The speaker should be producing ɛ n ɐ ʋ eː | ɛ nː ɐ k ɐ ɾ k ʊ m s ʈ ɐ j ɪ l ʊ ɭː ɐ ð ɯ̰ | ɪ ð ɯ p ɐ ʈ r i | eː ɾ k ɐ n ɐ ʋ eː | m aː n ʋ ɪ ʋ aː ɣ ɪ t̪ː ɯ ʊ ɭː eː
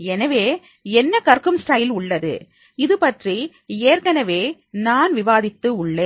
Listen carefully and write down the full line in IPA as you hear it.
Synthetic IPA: ɛ n ɐ ʋ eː | ɛ nː ɐ k ɐ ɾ k ɯ m s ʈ ɐ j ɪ l ʊ ɭː ɐ ð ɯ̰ | ɪ ð ɯ p ɐ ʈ r i | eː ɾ k ɐ n ɐ ʋ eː | n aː n ʋ ɪ ʋ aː ð ɪ t̪ː ɯ ʊ ɭː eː